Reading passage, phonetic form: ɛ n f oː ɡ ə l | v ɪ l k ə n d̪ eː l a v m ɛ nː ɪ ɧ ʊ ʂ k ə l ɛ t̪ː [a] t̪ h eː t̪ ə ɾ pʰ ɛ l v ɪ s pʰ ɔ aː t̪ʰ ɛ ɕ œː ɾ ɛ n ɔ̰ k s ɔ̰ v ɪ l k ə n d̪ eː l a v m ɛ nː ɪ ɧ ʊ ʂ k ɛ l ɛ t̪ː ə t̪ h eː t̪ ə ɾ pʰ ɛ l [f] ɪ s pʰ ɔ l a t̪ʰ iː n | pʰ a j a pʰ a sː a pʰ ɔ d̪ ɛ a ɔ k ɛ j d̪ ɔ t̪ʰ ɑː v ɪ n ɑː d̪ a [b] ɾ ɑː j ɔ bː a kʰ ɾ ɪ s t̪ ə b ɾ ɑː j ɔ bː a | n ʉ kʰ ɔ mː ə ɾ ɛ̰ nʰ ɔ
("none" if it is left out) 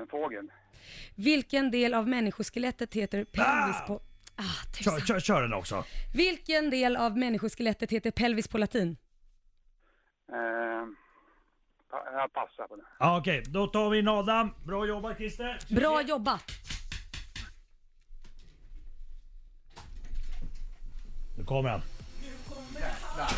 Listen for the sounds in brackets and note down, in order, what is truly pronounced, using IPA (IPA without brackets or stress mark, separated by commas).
ə, v, b